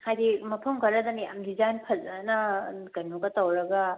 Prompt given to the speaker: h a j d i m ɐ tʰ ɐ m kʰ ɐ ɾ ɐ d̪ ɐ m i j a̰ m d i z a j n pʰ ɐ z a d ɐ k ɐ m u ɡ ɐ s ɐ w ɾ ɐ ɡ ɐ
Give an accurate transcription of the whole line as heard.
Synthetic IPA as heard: h a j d i m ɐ pʰ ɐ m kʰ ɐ ɾ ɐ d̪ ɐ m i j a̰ m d i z a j n pʰ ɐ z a n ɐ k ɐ n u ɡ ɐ t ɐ w ɾ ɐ ɡ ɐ